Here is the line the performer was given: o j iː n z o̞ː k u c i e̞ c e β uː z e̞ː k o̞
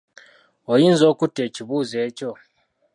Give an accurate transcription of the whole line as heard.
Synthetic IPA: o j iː n z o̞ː k u t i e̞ c i β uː z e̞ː c o̞

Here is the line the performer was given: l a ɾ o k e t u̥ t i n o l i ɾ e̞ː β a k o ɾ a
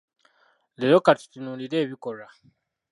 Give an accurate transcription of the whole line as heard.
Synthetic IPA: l e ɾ o k a t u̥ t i n u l i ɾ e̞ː β i k o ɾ a

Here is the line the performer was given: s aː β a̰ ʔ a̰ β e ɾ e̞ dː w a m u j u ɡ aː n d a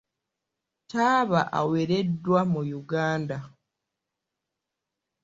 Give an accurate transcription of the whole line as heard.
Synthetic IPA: t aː β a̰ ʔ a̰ w e ɾ e̞ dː w a m u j u ɡ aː n d a

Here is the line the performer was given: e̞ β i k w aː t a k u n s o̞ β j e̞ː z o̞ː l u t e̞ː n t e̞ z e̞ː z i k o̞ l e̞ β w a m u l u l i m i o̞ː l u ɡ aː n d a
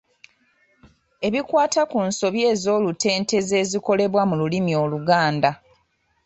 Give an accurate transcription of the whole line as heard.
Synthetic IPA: e̞ β i k w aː t a k u n s o̞ β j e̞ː z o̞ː l u t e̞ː n t e̞ z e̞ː z i k o̞ l e̞ β w a m u l u l i m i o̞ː l u ɡ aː n d a

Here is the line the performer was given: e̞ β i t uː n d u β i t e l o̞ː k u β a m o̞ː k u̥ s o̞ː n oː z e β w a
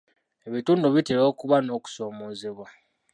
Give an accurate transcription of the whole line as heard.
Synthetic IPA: e̞ β i t uː n d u β i t e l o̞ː k u β a n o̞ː k u̥ s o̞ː m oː z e β w a

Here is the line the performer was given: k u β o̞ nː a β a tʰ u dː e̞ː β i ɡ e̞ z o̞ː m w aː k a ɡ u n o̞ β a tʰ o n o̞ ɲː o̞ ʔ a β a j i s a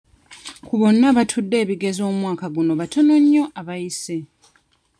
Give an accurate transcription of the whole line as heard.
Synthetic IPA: k u β o̞ nː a β a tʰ u dː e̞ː β i ɡ e̞ z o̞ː m w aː k a ɡ u n o̞ β a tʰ o n o̞ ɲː o̞ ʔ a β a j i s e

